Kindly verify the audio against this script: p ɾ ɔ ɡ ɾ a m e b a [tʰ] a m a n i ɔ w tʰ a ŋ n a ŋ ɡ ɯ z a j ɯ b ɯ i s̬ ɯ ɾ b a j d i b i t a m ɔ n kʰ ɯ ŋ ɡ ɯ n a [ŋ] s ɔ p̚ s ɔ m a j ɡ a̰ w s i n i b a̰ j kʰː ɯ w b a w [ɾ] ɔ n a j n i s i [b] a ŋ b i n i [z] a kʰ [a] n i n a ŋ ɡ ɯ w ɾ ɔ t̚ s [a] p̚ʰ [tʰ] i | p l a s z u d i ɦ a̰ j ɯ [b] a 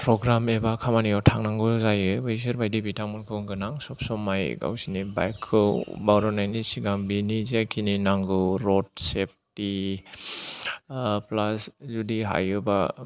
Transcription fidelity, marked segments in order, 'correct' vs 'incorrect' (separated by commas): incorrect, correct, correct, incorrect, correct, incorrect, incorrect, incorrect, correct